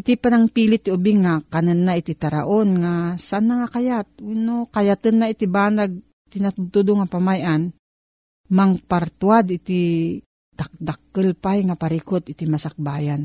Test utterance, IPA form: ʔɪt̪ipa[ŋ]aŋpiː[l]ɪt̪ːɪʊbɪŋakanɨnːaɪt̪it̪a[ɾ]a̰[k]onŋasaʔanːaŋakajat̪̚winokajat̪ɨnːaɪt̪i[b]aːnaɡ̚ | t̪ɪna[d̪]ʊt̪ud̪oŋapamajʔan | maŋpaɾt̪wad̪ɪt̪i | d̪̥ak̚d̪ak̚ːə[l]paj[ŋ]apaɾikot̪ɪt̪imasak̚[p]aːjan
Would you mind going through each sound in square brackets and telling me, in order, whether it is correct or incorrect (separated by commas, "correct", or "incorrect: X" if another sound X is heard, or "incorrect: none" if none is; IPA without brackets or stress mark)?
incorrect: n, correct, correct, incorrect: ʔ, correct, incorrect: t̪, correct, correct, incorrect: b